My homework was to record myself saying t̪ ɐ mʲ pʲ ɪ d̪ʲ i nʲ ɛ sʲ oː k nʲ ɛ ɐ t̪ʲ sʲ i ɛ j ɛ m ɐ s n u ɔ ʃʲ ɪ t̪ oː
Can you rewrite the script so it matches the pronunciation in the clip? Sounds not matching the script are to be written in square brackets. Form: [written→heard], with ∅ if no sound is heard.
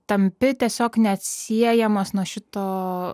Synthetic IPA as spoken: t̪ ɐ mʲ pʲ ɪ [d̪ʲ→t̪ʲ] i [nʲ→∅] ɛ sʲ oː k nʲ ɛ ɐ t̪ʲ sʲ i ɛ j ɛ m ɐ s n u ɔ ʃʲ ɪ t̪ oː